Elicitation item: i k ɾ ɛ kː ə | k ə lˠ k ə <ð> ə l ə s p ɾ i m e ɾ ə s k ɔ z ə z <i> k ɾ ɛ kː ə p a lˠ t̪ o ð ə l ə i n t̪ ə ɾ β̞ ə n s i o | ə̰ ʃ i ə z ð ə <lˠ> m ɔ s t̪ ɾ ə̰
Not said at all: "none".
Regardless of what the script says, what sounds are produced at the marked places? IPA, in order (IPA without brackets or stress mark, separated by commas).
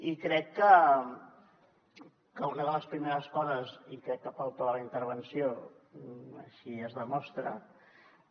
ð, i, none